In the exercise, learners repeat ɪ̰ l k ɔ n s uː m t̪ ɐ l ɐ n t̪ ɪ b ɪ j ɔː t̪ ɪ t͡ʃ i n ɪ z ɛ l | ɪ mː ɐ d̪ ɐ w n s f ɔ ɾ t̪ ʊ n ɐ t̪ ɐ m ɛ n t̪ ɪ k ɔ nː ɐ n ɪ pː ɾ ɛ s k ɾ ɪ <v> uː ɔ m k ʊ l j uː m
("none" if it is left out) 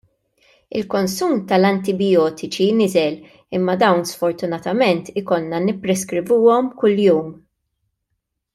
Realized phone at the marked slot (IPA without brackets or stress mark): v